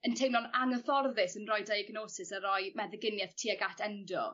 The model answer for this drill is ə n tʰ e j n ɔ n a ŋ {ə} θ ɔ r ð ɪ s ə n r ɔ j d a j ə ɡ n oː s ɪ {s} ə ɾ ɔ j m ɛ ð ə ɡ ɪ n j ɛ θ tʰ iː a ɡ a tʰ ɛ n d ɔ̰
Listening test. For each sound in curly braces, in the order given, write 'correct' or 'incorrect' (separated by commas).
correct, correct